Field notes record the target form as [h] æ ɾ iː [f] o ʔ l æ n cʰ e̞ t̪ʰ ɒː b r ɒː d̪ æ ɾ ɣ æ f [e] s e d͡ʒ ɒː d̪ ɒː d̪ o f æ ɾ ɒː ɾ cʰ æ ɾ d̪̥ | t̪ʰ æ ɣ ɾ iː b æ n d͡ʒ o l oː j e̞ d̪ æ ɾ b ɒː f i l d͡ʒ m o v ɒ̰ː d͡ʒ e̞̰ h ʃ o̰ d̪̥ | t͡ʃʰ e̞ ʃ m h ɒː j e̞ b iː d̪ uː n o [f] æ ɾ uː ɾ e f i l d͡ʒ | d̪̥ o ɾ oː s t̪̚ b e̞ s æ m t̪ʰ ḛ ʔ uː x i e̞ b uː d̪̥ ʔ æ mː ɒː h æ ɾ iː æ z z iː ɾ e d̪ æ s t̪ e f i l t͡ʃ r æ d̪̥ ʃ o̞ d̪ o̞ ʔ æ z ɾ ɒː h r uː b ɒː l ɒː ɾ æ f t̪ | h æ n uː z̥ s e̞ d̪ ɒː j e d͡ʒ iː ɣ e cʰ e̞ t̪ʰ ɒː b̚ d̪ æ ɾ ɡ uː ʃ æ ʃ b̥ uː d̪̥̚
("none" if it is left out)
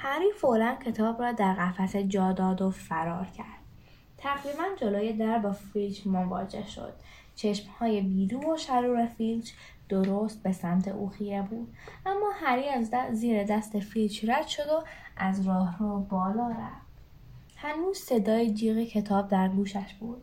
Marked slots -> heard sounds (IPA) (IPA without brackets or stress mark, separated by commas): h, f, æ, ʃ